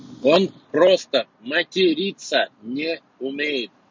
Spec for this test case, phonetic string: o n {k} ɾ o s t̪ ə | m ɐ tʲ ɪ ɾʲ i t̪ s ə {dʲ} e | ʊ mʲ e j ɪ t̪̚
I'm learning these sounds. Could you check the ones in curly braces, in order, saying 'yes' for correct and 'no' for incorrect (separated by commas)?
no, no